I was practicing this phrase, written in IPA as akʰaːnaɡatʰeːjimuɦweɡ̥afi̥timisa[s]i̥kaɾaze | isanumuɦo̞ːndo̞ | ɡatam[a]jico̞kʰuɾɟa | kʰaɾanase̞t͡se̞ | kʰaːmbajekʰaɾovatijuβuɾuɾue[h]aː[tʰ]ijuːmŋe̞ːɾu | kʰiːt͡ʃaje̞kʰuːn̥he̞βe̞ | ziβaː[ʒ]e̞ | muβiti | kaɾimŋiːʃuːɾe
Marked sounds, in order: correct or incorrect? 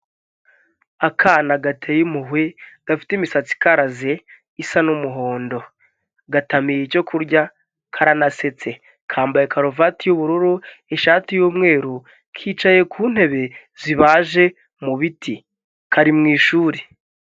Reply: incorrect: t͡s, incorrect: i, incorrect: ʃ, incorrect: t, correct

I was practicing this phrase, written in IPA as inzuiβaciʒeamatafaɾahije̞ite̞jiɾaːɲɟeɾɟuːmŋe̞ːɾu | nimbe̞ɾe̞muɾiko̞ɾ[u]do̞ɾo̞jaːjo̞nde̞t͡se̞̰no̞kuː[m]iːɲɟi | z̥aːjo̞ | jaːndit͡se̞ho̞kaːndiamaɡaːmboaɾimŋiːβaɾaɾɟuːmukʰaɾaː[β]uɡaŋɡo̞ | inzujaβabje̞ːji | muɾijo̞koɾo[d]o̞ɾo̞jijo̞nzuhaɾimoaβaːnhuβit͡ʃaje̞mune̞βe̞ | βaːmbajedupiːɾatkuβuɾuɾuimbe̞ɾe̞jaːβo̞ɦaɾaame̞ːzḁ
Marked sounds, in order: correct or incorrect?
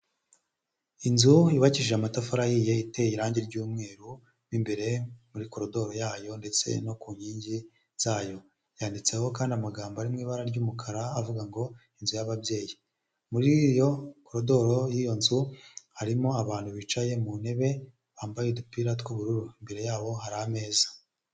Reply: incorrect: o, incorrect: ɲ, incorrect: v, correct

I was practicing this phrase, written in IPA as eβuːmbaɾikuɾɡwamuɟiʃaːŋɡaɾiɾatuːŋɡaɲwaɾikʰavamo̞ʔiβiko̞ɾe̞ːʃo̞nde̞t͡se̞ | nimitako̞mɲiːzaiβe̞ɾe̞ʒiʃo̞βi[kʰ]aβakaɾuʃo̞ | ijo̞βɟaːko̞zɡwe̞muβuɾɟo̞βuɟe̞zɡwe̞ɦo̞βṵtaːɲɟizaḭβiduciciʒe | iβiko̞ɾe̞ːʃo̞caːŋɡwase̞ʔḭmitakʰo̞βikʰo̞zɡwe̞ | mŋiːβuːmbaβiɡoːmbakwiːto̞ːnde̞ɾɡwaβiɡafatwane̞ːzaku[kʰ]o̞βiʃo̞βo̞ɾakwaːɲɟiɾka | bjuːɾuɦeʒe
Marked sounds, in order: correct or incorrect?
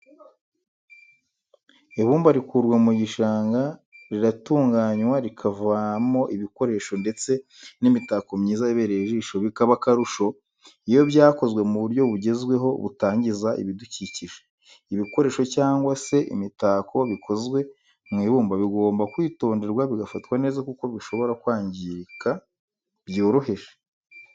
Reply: incorrect: k, incorrect: k

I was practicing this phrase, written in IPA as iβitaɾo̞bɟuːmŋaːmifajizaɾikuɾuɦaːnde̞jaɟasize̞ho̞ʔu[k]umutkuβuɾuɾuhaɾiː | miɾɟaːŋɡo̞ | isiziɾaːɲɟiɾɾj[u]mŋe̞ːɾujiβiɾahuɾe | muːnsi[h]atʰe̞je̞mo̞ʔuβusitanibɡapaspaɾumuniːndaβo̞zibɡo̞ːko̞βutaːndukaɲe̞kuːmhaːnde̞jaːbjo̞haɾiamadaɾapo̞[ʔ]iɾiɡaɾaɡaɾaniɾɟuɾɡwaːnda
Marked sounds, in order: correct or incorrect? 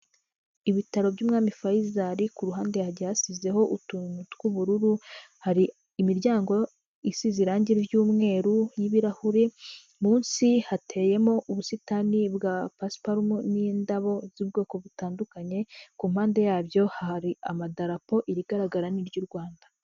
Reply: incorrect: t, incorrect: uː, correct, correct

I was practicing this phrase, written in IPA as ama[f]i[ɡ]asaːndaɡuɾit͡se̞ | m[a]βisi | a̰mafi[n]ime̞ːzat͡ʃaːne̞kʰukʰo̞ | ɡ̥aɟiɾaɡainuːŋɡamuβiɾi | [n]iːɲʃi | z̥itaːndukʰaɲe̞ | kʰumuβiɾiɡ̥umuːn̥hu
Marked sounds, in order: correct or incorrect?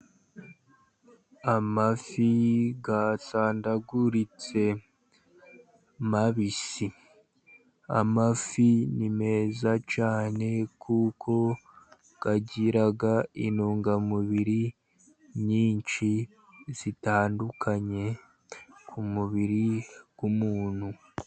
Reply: correct, correct, correct, correct, incorrect: ɲ

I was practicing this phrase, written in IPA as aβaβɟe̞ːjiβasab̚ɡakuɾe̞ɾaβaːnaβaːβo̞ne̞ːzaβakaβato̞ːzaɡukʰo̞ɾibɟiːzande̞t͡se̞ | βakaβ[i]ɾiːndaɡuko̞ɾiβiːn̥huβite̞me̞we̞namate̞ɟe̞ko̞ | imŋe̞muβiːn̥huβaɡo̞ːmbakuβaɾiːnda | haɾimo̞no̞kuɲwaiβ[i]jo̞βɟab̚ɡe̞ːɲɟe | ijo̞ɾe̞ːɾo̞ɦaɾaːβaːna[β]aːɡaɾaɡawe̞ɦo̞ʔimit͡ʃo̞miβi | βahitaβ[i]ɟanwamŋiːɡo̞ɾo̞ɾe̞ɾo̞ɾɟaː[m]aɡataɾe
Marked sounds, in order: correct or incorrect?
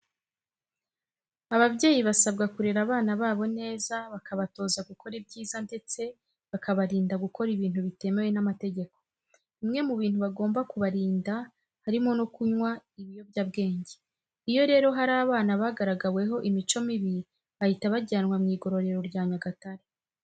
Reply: incorrect: a, correct, correct, incorrect: a, incorrect: ɲ

